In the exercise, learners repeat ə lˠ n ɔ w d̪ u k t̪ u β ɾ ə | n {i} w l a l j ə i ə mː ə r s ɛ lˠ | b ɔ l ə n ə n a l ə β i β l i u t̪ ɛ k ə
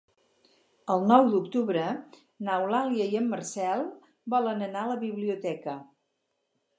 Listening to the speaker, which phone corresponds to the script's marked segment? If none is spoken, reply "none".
a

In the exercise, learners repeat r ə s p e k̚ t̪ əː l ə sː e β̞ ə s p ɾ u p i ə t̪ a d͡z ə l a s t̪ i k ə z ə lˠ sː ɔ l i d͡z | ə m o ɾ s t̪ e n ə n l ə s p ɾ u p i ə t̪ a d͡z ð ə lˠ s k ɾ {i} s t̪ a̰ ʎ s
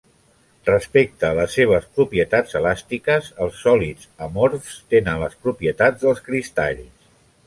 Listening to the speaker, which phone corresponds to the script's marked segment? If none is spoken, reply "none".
i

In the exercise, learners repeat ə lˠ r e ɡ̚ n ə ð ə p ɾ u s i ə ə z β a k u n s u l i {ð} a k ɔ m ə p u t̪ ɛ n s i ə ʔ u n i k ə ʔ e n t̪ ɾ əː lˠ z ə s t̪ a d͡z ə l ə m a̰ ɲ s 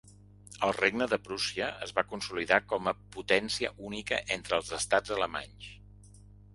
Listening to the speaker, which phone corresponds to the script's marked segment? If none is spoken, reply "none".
ð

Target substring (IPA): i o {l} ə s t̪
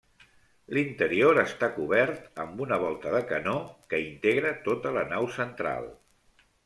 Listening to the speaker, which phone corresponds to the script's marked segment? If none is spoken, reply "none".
ɾ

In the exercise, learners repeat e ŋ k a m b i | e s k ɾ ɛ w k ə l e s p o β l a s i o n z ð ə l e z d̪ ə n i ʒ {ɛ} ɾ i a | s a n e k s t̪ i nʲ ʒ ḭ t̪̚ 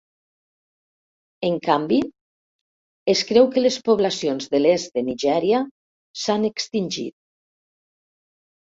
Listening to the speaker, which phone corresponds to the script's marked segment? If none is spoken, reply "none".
ɛ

